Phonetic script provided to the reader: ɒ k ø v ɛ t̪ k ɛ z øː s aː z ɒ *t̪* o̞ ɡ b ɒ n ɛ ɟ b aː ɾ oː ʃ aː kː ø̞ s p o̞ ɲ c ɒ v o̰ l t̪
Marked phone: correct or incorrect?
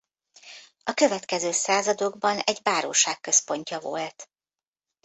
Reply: incorrect